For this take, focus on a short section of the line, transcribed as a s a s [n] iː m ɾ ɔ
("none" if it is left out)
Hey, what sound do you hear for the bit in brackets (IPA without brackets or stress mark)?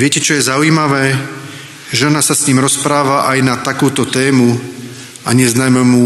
ɲ